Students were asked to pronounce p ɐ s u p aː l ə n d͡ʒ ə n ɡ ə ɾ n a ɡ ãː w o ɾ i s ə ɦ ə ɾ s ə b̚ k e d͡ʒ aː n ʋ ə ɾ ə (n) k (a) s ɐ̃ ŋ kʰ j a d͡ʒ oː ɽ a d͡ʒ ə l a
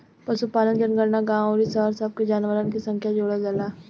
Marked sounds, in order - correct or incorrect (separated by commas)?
correct, incorrect